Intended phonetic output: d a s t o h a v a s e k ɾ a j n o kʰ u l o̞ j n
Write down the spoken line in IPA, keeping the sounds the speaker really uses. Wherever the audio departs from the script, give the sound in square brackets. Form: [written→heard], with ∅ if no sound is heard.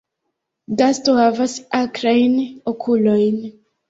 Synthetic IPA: d a s t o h a v a s [e→a] k ɾ a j n o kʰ u l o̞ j n